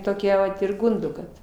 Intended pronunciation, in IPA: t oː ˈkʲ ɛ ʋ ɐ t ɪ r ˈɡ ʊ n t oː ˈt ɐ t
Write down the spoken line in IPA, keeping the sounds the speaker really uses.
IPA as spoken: t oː ˈkʲ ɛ ʋ ɐ t ɪ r ˈɡ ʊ n d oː ˈk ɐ t